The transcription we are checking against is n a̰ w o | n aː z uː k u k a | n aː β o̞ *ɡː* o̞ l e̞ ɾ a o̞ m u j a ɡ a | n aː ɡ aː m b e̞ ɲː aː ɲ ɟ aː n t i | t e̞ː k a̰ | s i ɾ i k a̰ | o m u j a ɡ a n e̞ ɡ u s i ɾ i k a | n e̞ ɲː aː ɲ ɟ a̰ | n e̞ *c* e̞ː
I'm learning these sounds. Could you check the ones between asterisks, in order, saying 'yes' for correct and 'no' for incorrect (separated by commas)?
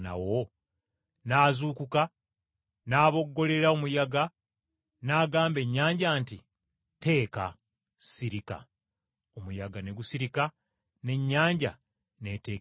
yes, no